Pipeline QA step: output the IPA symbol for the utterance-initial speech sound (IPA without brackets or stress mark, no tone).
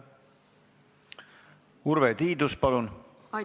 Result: u